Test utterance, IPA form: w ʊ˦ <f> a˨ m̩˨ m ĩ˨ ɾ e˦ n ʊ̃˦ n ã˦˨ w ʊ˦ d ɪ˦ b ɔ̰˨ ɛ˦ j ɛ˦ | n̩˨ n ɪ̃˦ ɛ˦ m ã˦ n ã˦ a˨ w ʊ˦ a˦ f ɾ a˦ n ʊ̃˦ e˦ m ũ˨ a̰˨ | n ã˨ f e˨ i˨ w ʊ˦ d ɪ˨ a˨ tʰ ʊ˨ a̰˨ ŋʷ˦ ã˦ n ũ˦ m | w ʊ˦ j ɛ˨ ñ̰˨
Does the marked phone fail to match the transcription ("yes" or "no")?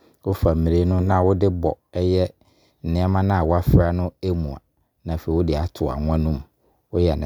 no